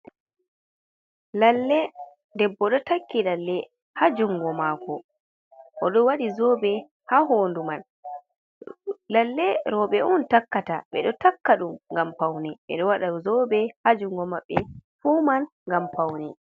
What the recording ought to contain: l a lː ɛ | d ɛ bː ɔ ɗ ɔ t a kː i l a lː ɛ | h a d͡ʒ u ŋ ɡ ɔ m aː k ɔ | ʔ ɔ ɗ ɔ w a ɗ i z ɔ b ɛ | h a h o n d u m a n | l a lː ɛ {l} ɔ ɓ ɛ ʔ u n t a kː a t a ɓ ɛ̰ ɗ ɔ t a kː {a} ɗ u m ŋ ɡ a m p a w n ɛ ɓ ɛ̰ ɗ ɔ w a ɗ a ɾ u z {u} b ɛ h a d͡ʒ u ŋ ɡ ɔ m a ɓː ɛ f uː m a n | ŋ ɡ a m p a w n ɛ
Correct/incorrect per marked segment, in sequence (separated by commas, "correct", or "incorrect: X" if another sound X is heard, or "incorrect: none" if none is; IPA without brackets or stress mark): incorrect: ɾ, correct, incorrect: ɔ